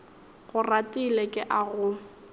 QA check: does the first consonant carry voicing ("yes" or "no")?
yes